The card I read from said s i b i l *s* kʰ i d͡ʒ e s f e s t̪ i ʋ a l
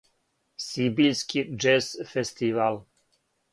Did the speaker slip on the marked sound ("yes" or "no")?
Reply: no